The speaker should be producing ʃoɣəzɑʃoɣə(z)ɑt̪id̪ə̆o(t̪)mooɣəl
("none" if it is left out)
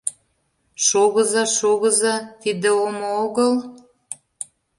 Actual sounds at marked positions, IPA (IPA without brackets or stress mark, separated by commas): z, none